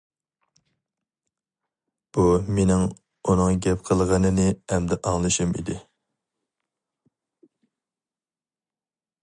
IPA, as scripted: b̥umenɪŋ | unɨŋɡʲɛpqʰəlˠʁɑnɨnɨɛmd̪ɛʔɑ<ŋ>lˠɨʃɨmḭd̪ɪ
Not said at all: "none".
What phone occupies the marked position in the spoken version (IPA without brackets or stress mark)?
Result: ŋ